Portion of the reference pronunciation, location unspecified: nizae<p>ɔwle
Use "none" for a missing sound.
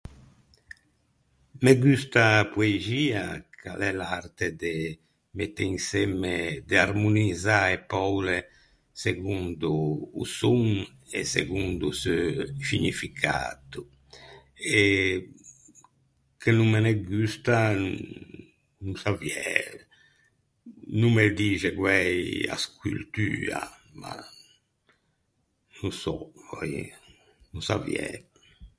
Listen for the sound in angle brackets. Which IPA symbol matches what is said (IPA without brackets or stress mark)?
p